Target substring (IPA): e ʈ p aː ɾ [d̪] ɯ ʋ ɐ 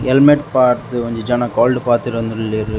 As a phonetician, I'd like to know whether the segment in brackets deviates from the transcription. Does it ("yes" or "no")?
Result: yes